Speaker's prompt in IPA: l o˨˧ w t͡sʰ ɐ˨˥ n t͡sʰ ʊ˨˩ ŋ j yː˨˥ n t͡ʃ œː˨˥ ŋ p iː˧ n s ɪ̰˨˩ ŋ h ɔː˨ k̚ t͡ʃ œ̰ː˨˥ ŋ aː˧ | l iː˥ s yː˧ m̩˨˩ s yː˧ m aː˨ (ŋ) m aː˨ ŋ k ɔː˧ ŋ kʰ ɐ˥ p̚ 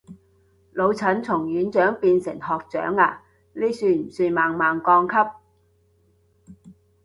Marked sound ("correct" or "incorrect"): correct